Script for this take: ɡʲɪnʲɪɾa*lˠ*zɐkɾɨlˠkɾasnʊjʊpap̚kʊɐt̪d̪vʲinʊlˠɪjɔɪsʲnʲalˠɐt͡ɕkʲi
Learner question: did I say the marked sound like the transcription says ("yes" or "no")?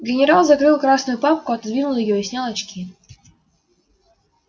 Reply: yes